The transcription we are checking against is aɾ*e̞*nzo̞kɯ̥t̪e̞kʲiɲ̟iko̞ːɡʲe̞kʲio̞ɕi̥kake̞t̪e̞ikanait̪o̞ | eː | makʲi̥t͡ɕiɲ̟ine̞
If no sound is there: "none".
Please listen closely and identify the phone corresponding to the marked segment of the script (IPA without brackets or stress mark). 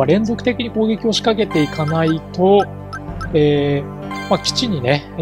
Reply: ẽ̞